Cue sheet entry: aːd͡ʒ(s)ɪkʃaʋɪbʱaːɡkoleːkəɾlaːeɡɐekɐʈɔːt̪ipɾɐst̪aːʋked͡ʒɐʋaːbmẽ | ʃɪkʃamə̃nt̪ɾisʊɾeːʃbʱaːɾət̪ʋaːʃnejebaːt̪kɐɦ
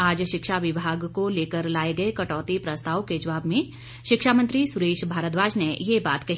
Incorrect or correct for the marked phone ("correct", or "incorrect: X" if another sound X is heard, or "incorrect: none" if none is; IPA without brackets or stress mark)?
incorrect: ʃ